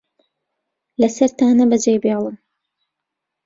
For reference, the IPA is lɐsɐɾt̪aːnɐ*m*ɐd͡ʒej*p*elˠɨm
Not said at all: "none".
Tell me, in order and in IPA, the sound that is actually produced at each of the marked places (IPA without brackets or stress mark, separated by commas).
b, b